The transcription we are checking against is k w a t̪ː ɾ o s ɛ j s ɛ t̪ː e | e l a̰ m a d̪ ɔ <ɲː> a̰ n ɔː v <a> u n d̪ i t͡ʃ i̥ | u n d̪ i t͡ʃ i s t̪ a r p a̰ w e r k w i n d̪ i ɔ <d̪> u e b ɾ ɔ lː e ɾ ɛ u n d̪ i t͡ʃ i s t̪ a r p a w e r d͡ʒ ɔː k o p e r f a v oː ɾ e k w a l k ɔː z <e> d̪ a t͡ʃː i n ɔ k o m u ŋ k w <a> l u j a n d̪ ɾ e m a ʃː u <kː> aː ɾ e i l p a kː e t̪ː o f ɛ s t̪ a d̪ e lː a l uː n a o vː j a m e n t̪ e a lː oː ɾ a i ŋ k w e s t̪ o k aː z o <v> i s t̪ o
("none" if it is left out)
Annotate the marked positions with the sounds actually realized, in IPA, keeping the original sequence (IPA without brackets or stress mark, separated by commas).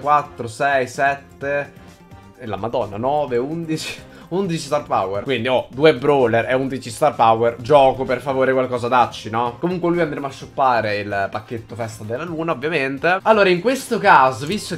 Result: nː, e, d̪, a, e, pː, v